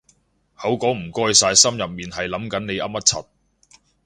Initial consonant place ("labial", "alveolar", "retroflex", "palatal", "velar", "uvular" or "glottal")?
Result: glottal